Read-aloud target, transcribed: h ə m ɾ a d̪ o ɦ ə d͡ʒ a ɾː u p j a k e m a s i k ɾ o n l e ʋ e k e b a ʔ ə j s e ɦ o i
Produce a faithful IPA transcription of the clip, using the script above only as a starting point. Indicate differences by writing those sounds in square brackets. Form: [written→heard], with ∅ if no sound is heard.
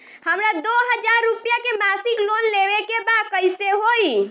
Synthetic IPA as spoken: h ə m ɾ a d̪ o ɦ ə d͡ʒ a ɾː u p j a k e m a s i k [ɾ→l] o n l e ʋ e k e b a [ʔ→k] ə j s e ɦ o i